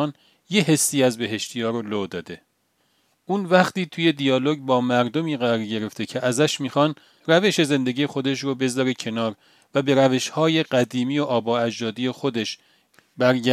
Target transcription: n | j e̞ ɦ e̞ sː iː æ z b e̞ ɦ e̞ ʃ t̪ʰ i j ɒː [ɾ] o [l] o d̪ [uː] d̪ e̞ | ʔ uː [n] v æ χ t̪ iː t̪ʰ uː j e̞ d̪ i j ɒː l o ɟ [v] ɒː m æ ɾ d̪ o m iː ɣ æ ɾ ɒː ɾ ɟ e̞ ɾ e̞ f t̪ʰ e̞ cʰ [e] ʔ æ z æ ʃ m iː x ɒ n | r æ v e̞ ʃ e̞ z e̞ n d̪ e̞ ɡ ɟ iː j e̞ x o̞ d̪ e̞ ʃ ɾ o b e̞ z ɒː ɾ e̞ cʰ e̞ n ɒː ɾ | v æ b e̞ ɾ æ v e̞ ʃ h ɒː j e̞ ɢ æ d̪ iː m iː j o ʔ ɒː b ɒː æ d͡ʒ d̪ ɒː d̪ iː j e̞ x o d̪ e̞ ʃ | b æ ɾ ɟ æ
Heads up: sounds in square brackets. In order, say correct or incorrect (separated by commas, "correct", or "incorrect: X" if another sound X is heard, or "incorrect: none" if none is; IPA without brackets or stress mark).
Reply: correct, correct, incorrect: ɒː, correct, incorrect: b, correct